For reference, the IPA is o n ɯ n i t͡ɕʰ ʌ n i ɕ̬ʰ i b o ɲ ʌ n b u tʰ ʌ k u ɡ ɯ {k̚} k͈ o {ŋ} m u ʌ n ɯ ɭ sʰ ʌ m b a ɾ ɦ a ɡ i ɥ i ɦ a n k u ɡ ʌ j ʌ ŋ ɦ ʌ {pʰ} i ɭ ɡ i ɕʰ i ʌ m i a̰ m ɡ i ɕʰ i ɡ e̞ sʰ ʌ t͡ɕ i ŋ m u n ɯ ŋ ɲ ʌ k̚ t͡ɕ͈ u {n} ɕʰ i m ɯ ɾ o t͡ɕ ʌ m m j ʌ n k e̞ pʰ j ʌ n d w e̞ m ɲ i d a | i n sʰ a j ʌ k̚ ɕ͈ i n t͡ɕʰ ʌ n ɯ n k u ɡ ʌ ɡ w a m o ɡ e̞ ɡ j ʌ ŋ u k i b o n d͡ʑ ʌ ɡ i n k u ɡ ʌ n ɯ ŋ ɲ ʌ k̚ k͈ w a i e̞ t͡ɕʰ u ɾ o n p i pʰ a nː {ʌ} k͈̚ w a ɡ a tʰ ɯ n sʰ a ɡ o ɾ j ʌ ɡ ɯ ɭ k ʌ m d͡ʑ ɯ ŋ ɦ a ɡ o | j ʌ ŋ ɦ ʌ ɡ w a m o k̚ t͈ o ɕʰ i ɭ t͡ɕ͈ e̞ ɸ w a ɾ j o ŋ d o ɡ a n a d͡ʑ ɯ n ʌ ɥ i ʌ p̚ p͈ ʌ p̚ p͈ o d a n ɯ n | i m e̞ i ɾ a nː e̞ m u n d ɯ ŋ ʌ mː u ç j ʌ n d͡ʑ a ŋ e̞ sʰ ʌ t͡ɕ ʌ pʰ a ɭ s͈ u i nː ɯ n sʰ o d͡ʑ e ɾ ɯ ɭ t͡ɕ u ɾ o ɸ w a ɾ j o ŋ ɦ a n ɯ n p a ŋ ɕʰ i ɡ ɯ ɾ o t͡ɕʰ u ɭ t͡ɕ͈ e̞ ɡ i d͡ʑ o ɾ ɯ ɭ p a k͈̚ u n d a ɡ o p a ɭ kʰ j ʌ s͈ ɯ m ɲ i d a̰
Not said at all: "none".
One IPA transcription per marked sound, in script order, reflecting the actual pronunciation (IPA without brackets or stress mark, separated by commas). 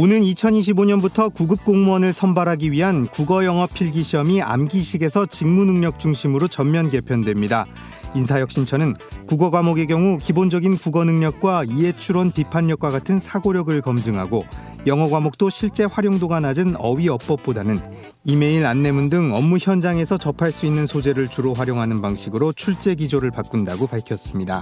p̚, ŋ, pʰ, ŋ, ʌ